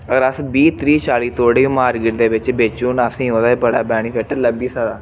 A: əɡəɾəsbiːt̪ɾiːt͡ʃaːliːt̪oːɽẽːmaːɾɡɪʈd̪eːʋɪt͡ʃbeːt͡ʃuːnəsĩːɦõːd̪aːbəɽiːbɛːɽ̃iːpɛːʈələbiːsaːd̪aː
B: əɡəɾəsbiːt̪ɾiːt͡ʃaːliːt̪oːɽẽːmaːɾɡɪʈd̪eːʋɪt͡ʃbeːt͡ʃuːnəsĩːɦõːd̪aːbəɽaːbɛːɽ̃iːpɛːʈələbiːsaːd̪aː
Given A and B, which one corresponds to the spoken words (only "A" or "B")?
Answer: B